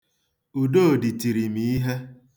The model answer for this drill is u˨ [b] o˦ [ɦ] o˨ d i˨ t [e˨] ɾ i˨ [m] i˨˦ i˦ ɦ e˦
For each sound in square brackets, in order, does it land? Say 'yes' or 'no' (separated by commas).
no, no, no, yes